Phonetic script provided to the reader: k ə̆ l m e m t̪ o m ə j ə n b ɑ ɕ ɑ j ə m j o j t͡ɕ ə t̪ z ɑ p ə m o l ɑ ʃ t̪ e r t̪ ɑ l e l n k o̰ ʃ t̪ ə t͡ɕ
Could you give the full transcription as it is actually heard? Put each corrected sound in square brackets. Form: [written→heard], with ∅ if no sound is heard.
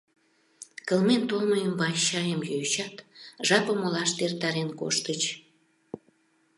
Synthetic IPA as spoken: k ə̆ l m e [m→n] t̪ o m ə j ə [n→m] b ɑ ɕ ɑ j ə m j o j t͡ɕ [ə→ɑ] t̪ [z→ʒ] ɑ p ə m o l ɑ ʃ t̪ e r t̪ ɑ [l→ɾ] e [l→∅] n k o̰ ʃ t̪ ə t͡ɕ